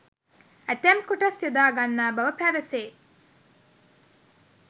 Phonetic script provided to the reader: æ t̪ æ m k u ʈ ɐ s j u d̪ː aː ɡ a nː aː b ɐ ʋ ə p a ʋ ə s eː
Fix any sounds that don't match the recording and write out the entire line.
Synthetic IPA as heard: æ t̪ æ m k u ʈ ɐ s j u d̪ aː ɡ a nː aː b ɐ ʋ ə p æ ʋ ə s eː